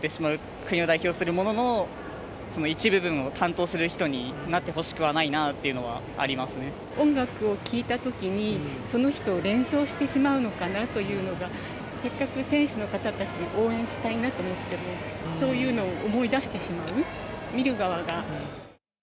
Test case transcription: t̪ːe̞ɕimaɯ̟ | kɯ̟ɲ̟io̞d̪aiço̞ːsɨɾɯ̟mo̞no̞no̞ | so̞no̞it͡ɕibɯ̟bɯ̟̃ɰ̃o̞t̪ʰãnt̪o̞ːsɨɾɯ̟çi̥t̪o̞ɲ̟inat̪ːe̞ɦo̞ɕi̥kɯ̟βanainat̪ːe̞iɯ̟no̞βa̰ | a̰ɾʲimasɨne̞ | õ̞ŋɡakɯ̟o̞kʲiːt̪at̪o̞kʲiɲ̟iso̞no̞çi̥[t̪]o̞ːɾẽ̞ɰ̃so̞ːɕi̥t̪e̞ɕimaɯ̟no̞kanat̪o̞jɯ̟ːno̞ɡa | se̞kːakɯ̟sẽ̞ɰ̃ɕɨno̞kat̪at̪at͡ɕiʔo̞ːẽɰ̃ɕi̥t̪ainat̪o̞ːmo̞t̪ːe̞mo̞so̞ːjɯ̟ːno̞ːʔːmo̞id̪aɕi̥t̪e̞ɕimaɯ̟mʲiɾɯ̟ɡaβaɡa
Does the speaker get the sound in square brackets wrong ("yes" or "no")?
no